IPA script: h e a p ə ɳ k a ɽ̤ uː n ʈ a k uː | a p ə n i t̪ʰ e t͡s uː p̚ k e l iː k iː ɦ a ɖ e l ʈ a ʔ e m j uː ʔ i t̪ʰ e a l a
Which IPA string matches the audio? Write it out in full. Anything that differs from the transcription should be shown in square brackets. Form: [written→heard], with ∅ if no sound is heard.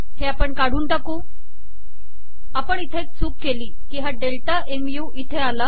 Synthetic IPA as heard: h e a p ə ɳ k a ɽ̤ uː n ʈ a k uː | a p ə [n→ɳ] i t̪ʰ e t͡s uː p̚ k e l iː k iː ɦ a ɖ e l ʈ a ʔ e m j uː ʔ i t̪ʰ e a l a

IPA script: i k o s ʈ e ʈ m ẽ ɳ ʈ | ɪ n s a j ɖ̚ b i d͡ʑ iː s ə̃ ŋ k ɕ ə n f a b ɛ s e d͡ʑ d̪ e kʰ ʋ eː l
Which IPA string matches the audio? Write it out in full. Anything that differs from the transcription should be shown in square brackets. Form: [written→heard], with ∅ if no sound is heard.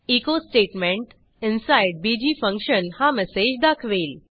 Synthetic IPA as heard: i k o s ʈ e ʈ m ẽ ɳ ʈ | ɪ n s a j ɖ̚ b i d͡ʑ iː [s→f] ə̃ ŋ k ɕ ə n [f→h] a [b→m] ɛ s e d͡ʑ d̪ [e→a] kʰ ʋ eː l

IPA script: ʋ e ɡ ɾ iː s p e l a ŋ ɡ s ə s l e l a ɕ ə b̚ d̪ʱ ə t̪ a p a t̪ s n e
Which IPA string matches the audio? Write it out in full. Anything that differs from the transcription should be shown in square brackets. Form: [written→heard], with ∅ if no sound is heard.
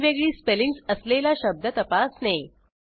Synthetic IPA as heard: ʋ e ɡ [ɾ→ɭ] iː s p e l [a→i] ŋ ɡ s ə s l e l a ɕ ə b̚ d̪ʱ ə t̪ [a→ə] p a [t̪→∅] s n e

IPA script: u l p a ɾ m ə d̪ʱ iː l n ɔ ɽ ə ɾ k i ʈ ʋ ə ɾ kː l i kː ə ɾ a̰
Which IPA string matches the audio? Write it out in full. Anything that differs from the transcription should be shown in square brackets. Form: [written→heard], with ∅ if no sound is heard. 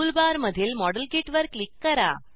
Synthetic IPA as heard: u l [p→b] a ɾ m ə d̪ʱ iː l [n→m] ɔ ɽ ə [ɾ→l] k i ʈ ʋ ə ɾ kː l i kː ə ɾ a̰

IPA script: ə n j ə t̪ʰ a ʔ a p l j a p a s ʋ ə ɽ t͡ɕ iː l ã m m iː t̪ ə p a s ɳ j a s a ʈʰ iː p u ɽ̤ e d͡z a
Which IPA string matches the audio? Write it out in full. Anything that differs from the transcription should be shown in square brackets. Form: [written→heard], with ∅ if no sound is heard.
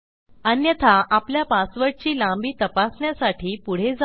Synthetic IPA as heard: ə n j ə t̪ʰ a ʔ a p l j a p a s ʋ ə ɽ t͡ɕ iː l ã m [m→b] iː t̪ ə p a s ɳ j a s a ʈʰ iː p u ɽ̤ e d͡z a

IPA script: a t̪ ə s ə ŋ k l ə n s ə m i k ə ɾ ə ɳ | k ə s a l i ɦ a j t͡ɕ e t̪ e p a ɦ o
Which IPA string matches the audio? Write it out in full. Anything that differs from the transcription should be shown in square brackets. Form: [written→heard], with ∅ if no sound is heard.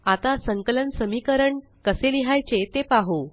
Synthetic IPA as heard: a t̪ [ə→a] s ə ŋ k l ə n s ə m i k ə ɾ ə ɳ | k ə s [a→e] l i ɦ a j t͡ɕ e t̪ e p a ɦ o

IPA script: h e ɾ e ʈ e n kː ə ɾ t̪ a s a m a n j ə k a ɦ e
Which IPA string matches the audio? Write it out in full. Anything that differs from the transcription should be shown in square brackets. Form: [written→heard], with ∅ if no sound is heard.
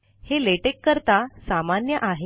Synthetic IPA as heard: h e [ɾ→l] e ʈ e [n→∅] kː ə ɾ t̪ a s a m a n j ə [k→ʔ] a ɦ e

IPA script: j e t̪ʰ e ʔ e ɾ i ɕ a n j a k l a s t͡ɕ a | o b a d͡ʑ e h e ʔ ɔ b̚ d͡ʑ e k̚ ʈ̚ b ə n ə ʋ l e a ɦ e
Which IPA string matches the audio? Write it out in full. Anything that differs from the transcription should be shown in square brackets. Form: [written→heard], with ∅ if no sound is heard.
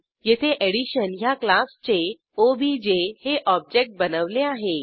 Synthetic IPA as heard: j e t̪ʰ e ʔ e [ɾ→ɽ] i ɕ [a→ə] n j a k l a s t͡ɕ [a→e] | o b [a→i] d͡ʑ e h e ʔ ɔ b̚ d͡ʑ e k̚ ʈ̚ b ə n ə ʋ l e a ɦ e

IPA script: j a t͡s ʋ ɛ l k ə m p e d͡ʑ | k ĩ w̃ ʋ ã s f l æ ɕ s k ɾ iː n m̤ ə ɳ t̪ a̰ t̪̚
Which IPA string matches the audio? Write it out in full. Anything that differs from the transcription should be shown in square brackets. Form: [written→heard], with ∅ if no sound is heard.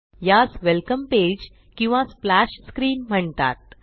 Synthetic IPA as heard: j a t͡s ʋ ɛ l k ə m p e d͡ʑ | k ĩ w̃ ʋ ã s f l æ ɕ s k ɾ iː n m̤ ə ɳ t̪ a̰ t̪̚

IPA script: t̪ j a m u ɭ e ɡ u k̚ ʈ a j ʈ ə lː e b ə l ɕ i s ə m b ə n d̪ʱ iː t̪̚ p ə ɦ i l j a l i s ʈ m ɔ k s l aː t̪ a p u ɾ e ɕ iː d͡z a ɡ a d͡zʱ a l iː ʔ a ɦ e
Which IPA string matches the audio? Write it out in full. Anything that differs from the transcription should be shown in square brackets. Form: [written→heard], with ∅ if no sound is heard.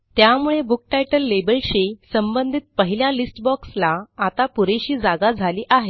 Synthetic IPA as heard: t̪ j a m u ɭ e [ɡ→b] u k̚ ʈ a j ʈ ə lː e b ə l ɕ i s ə m b ə n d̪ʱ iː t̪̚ p ə ɦ i l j a l i s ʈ [m→b] ɔ k s l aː t̪ a p u ɾ e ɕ iː d͡z a ɡ a d͡zʱ a l iː ʔ a ɦ e

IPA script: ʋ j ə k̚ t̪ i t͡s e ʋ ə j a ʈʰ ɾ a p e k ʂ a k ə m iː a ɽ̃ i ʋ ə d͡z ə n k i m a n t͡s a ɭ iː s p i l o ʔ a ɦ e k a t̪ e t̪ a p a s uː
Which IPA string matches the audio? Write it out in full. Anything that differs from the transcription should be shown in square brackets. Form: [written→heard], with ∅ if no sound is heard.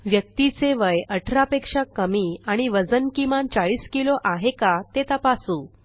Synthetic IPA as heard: ʋ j ə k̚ t̪ i t͡s e ʋ ə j [a→ə] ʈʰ ɾ a p e k ʂ a k ə m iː a ɽ̃ i ʋ ə d͡z ə n k i m a n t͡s a ɭ iː s [p→k] i l o ʔ a ɦ e k a t̪ e t̪ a p a s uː

